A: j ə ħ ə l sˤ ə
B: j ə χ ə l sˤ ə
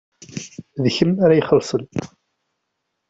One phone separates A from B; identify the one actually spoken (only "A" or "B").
B